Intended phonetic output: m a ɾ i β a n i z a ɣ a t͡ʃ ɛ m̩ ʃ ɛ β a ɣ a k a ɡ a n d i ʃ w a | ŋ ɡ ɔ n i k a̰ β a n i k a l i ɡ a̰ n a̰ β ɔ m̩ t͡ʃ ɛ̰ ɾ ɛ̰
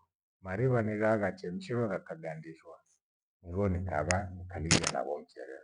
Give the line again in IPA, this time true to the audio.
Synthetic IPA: m a ɾ i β a n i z a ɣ a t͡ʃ ɛ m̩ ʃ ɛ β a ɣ a k a ɡ a n d i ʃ w a | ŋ ɡ ɔ n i k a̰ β a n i k a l i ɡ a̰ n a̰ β ɔ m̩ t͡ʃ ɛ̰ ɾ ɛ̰